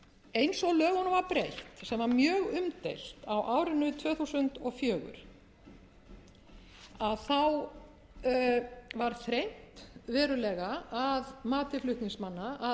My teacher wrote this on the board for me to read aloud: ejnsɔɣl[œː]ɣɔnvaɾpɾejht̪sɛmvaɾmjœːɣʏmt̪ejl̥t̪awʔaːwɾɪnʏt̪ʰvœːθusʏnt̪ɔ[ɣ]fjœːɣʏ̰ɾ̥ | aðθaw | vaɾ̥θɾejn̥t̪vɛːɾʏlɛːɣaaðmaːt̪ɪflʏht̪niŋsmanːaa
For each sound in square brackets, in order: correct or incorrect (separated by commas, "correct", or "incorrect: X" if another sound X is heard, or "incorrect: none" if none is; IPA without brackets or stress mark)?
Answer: correct, correct